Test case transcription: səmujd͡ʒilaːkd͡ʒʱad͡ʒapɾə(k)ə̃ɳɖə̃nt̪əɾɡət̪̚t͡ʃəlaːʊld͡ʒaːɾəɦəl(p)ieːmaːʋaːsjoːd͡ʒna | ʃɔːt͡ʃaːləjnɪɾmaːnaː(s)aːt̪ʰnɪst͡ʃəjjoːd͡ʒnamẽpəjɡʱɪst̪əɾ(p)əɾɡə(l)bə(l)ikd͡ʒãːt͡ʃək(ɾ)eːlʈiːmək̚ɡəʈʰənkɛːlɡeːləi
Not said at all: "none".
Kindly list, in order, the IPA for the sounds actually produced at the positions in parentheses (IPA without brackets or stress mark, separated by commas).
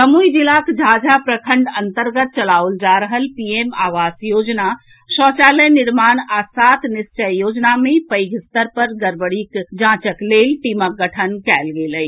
kʰ, p, s, p, ɾ, ɽ, l